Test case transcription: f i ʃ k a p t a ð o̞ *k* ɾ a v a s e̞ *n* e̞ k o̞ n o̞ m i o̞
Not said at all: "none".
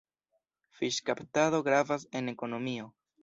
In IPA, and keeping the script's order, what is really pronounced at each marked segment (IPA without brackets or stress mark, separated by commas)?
ɡ, n